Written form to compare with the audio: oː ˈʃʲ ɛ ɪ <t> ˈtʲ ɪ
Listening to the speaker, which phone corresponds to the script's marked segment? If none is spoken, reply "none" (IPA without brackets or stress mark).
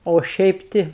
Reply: p